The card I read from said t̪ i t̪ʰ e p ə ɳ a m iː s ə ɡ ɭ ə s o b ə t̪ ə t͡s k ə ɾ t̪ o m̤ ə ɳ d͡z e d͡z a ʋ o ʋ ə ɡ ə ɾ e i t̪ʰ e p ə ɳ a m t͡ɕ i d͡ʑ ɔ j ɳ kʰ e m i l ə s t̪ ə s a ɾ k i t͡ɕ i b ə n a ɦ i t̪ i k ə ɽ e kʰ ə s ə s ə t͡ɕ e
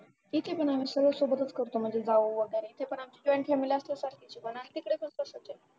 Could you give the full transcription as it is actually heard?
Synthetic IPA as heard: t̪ i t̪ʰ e p ə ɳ a m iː s ə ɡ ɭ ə s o b ə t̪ ə t͡s k ə ɾ t̪ o m̤ ə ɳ d͡z e d͡z a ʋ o ʋ ə ɡ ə ɾ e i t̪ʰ e p ə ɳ a m t͡ɕ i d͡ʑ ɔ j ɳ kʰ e m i l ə s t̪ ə s a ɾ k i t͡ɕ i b ə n a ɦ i t̪ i k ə ɽ e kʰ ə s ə s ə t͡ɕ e